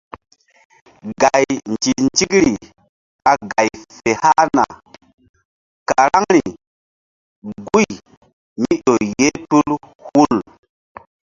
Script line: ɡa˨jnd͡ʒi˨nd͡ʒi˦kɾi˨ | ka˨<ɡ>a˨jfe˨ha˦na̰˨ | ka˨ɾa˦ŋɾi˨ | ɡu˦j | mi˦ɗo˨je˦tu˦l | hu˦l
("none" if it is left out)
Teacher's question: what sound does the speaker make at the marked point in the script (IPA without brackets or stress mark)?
ɡ